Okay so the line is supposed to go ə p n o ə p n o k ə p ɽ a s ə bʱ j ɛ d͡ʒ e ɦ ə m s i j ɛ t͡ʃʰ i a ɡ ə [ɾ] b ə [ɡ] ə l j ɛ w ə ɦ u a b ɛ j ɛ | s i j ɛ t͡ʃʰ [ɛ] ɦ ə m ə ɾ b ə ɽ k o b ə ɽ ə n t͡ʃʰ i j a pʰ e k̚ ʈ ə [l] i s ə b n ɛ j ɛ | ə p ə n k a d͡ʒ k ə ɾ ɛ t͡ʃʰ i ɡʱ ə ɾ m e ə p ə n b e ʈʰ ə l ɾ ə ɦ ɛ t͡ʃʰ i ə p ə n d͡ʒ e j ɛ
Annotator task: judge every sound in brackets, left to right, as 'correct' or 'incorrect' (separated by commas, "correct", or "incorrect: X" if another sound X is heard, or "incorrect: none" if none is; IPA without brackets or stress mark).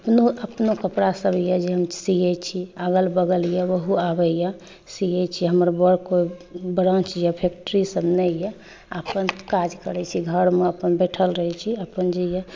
incorrect: l, correct, incorrect: i, incorrect: ɾ